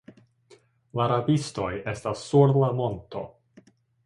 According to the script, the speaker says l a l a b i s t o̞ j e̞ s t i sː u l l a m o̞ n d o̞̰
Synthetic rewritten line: l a ɾ a b i s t o̞ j e̞ s t a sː u ɾ l a m o̞ n t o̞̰